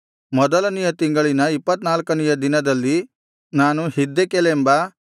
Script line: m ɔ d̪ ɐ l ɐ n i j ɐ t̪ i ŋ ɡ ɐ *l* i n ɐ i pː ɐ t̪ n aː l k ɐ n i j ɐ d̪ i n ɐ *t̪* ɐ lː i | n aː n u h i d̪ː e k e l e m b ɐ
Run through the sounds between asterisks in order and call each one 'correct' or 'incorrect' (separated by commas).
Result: incorrect, incorrect